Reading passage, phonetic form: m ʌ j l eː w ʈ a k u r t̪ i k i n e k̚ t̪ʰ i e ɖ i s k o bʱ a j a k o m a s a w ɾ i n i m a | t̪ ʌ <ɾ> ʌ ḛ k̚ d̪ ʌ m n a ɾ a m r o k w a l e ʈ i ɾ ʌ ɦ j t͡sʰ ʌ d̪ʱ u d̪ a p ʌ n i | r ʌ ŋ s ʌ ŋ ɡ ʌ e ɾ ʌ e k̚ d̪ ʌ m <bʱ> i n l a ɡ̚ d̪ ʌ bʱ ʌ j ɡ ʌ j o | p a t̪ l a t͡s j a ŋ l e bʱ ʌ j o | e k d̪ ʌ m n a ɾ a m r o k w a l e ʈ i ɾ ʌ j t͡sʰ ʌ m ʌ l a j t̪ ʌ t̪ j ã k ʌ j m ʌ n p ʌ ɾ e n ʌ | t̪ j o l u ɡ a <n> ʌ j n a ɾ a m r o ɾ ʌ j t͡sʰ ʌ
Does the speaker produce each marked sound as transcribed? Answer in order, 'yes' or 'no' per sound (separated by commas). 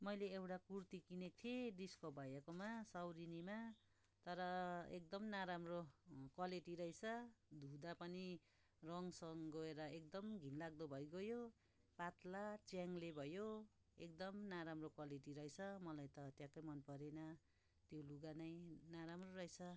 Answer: yes, no, yes